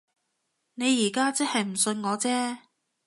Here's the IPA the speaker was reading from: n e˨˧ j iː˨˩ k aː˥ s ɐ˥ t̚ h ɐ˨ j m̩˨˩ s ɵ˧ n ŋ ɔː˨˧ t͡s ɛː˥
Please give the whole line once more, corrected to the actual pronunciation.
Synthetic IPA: n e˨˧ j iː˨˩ k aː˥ t͡s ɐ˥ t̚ h ɐ˨ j m̩˨˩ s ɵ˧ n ŋ ɔː˨˧ t͡s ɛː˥